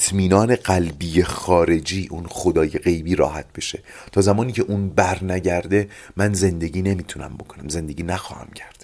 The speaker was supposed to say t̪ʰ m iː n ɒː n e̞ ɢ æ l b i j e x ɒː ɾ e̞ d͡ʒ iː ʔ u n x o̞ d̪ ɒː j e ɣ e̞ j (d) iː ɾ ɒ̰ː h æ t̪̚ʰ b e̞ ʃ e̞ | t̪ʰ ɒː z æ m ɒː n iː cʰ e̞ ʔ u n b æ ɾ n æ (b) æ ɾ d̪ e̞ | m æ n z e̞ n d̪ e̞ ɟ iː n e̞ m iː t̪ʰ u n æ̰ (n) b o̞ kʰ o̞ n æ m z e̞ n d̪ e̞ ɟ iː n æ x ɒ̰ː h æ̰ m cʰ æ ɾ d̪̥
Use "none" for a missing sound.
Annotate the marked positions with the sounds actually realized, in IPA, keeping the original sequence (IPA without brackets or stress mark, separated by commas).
b, ɟ, m